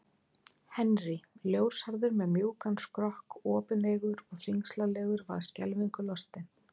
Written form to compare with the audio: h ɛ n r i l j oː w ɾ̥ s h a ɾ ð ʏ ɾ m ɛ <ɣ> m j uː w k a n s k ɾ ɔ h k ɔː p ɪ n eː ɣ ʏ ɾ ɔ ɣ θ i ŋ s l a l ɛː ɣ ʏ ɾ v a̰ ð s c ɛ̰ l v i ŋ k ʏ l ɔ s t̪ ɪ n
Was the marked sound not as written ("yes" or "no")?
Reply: yes